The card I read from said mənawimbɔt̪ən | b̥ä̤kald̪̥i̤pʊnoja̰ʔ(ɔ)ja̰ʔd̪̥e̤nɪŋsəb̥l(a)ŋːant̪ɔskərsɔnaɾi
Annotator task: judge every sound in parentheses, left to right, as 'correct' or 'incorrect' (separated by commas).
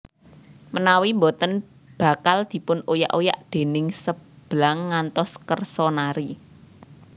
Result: incorrect, correct